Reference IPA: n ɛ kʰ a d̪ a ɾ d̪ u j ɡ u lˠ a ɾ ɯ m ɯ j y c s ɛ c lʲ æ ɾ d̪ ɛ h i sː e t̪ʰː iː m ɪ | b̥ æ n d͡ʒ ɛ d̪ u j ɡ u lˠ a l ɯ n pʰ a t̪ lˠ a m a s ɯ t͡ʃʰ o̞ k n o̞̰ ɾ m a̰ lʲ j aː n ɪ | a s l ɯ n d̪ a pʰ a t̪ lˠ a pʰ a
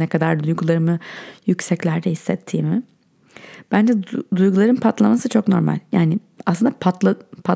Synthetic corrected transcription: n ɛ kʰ a d̪ a ɾ d̪ u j ɡ u lˠ a ɾ ɯ m ɯ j y c s ɛ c lʲ æ ɾ d̪ ɛ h i sː ɛ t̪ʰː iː m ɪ | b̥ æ n d͡ʒ ɛ d̪ u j ɡ u lˠ a ɾ ɯ n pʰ a t̪ lˠ a m a s ɯ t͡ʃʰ o̞ k n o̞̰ ɾ m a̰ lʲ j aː n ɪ | a s l ɯ n d̪ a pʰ a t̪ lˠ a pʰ a